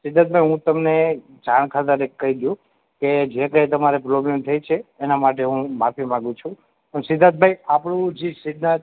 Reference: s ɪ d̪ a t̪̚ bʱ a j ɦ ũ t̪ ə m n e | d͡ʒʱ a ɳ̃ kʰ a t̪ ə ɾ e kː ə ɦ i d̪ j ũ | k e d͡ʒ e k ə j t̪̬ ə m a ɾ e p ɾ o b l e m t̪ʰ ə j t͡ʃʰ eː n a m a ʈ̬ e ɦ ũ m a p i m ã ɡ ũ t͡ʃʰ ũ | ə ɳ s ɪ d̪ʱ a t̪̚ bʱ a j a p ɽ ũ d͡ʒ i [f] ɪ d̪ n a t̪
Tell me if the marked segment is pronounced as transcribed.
no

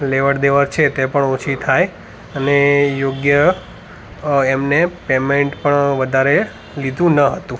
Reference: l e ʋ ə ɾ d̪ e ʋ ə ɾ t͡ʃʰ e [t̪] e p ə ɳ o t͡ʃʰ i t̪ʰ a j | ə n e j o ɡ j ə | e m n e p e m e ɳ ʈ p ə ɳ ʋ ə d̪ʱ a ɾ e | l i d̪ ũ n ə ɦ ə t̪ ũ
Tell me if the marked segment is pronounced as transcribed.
yes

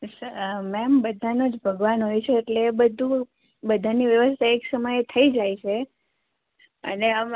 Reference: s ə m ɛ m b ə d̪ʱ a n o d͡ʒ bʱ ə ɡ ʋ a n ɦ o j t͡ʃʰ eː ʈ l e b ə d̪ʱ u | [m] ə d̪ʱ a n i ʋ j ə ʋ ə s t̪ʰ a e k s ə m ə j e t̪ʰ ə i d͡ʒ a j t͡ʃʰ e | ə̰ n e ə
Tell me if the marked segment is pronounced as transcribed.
no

